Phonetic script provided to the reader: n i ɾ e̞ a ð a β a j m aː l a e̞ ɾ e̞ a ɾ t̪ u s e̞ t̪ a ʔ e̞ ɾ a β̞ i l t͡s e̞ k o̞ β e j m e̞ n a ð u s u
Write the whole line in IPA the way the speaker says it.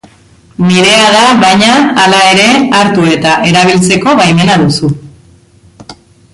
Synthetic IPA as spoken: n i ɾ e̞ a ð a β a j ɲ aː l a e̞ ɾ e̞ a ɾ t̪ u e̞ t̪ a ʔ e̞ ɾ a β̞ i l t͡s e̞ k o̞ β a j m e̞ n a ð u s u